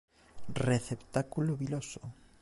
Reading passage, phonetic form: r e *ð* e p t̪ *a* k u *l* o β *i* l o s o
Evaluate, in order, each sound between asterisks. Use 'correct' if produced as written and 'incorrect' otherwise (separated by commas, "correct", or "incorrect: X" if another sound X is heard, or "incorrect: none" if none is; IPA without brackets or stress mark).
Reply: incorrect: θ, correct, correct, correct